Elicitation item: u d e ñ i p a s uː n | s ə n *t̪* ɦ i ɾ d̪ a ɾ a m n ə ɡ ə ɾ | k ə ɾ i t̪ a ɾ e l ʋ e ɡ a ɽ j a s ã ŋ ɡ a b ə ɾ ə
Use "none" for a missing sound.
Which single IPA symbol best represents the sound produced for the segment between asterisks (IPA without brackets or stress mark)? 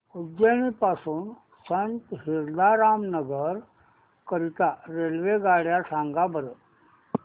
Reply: t̪